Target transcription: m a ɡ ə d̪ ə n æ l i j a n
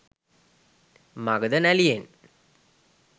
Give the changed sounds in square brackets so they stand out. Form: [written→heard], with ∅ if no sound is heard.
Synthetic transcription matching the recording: m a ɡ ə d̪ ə n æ l i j [a→e] n